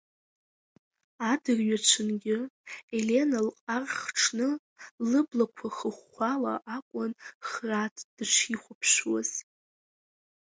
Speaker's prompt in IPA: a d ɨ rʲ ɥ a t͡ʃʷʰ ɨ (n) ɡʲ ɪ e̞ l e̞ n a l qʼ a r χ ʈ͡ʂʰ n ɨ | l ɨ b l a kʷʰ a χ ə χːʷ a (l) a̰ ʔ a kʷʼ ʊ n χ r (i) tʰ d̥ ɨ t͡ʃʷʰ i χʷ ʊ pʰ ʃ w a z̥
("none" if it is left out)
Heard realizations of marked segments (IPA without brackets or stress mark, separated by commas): n, l, a